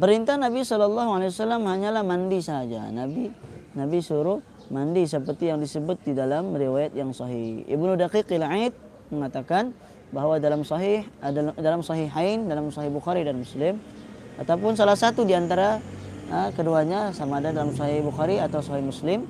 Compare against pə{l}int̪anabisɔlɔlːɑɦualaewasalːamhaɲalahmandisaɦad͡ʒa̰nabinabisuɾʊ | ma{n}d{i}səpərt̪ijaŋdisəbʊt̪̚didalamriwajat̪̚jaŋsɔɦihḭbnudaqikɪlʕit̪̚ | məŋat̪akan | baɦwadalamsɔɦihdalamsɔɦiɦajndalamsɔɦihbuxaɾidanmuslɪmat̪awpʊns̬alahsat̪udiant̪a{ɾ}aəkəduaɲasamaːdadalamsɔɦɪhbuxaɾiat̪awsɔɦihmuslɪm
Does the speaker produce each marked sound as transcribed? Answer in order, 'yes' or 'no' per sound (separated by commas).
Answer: no, yes, yes, yes